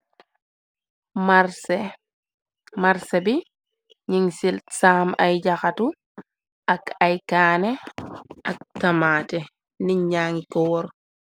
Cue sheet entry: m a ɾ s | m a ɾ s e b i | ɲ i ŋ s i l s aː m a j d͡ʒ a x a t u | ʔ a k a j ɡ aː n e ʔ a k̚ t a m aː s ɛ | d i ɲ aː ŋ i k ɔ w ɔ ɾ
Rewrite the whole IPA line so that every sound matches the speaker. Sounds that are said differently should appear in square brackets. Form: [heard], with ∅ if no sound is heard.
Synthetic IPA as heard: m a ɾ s | m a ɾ s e b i | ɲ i ŋ s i l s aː m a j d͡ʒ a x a t u | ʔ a k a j [k] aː n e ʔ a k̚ t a m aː [t] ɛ | [n] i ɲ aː ŋ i k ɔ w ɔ ɾ